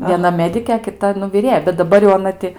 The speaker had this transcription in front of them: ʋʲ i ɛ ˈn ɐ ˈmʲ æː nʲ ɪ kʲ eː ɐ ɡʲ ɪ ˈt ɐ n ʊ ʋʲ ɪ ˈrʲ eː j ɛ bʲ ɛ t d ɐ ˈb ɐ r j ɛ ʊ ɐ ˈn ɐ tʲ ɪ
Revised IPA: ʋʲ i ɛ ˈn ɐ ˈmʲ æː dʲ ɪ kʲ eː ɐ kʲ ɪ ˈt ɐ n ʊ ʋʲ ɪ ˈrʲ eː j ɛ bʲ ɛ t d ɐ ˈb ɐ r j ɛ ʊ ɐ ˈn ɐ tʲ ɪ

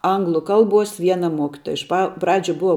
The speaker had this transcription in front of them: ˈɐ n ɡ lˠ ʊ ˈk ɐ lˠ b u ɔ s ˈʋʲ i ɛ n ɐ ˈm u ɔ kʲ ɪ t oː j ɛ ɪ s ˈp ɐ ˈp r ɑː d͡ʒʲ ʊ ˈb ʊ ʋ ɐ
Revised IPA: ˈɐ ŋ ɡ lˠ ʊ ˈk ɐ lˠ b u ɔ s ˈʋʲ i ɛ n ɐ ˈm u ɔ kʲ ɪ t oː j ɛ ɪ ʃ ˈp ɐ ˈp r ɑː d͡ʒʲ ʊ ˈb ʊ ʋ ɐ

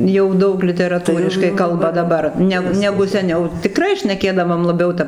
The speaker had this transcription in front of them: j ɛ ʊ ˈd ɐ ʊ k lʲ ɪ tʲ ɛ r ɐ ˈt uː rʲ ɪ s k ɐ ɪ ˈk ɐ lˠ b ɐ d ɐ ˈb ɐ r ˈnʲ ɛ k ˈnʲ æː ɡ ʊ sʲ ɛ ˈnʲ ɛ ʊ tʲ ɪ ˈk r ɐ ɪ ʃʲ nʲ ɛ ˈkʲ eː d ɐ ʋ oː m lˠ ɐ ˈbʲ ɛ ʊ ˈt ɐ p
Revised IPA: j ɛ ʊ ˈd ɐ ʊ k lʲ ɪ tʲ ɛ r ɐ ˈt uː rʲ ɪ ʃ k ɐ ɪ ˈk ɐ lˠ b ɐ d ɐ ˈb ɐ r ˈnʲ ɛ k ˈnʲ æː ɡ ʊ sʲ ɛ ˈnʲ ɛ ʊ tʲ ɪ ˈk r ɐ ɪ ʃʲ nʲ ɛ ˈkʲ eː d ɐ ʋ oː m lˠ ɐ ˈbʲ ɛ ʊ ˈt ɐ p

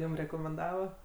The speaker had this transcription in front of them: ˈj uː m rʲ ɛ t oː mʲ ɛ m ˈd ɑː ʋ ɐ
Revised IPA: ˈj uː m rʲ ɛ k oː mʲ ɛ n ˈd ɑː ʋ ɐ

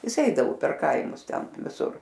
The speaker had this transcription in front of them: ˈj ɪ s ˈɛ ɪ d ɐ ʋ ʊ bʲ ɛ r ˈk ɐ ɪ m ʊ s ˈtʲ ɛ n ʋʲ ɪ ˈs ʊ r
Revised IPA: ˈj ɪ s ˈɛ ɪ d ɐ ʋ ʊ pʲ ɛ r ˈk ɐ ɪ m ʊ s ˈtʲ ɛ n ʋʲ ɪ ˈs ʊ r

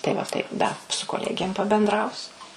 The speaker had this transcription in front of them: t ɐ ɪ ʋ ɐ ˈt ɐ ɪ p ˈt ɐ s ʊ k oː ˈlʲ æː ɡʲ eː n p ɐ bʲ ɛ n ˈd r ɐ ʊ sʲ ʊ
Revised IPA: t ɐ ɪ ʋ ɐ ˈt ɐ ɪ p ˈd ɐ s ʊ k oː ˈlʲ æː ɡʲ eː m p ɐ bʲ ɛ n ˈd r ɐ ʊ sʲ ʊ

